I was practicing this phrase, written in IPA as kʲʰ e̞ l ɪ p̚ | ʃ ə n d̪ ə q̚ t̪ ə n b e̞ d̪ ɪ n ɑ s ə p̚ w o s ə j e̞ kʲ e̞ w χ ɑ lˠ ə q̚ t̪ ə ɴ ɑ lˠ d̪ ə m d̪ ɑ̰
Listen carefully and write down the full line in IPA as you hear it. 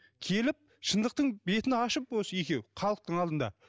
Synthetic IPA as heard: kʲʰ e̞ l ɪ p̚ | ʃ ə n d̪ ə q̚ t̪ ə ɴ b e̞ t̪ ɪ n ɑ ʃ ə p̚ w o s ə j e̞ kʲ e̞ w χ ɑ lˠ ə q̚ t̪ ə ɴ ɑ lˠ d̪ ə n d̪ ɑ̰